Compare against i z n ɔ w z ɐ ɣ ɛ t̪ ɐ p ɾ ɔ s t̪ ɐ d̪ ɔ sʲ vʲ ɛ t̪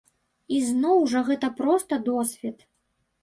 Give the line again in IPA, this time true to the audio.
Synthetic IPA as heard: i z n ɔ w ʐ ɐ ɣ ɛ t̪ ɐ p ɾ ɔ s t̪ ɐ d̪ ɔ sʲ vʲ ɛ t̪